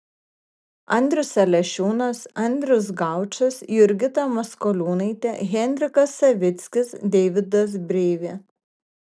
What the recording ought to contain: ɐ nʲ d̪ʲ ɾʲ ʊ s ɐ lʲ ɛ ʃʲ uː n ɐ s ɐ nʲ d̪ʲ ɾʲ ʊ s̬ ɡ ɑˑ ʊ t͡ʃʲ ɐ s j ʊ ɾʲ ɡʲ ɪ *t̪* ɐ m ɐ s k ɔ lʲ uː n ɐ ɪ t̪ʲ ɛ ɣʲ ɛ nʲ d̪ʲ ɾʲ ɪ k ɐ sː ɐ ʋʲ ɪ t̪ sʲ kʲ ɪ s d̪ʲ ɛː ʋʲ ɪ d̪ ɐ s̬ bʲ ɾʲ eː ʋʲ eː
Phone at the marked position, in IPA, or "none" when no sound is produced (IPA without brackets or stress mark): t̪